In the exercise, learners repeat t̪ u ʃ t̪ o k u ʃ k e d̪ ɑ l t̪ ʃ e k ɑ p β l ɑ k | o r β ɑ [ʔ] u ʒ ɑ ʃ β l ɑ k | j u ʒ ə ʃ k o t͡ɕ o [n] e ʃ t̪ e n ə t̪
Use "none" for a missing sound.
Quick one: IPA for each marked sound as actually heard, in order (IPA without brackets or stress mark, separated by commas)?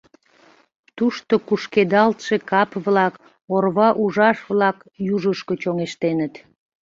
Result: ʔ, ŋ